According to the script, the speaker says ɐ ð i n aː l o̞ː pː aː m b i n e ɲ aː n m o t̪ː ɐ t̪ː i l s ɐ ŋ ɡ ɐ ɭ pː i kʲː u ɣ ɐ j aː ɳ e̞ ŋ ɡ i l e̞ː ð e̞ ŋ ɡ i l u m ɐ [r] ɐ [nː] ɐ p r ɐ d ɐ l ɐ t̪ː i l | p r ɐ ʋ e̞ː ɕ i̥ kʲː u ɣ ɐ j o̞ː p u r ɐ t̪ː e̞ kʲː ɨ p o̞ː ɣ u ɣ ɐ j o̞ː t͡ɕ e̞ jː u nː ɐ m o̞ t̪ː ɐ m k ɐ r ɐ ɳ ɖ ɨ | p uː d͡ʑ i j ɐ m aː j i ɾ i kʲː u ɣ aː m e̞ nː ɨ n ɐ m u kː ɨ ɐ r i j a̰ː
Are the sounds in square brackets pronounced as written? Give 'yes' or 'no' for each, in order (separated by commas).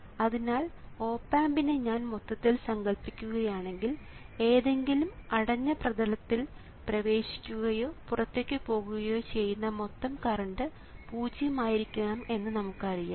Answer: no, no